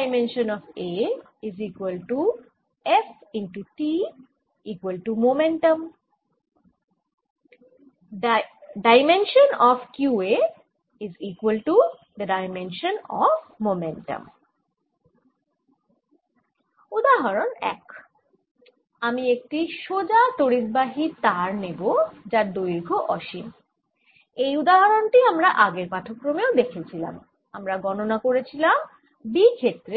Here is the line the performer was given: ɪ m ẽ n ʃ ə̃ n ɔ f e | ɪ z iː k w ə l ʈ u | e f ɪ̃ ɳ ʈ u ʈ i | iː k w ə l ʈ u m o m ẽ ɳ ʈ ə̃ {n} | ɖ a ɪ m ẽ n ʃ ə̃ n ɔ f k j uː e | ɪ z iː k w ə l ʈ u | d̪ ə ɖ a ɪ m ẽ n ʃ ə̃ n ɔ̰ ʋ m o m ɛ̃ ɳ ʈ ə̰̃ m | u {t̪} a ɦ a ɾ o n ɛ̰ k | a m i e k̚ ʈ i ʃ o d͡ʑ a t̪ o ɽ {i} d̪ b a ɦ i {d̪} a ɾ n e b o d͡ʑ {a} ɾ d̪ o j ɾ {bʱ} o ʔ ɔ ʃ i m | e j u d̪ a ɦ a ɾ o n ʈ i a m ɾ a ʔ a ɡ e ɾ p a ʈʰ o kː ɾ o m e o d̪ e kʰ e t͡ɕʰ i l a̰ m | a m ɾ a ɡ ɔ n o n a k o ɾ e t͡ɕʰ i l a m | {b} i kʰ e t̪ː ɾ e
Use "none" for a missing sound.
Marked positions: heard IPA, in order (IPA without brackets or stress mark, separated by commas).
m, d̪, i, t̪, a, ɡʱ, b